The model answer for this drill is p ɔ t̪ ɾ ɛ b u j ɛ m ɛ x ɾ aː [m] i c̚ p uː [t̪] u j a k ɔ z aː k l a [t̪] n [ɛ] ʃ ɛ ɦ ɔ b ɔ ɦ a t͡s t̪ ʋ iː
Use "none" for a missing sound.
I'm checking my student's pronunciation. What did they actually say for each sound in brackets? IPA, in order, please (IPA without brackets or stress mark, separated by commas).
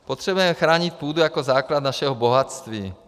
ɲ, d̪, d̪, a